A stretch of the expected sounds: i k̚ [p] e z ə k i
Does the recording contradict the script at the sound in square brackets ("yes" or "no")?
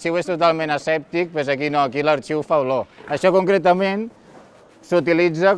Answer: no